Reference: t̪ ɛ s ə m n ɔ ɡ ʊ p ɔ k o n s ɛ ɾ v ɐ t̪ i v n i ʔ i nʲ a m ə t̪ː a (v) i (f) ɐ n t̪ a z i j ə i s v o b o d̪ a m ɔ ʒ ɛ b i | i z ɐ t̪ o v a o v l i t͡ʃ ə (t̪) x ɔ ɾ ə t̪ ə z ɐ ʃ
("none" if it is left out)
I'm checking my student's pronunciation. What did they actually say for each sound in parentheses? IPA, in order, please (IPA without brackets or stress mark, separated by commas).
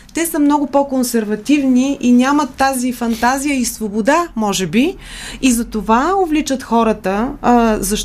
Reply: z, f, t̪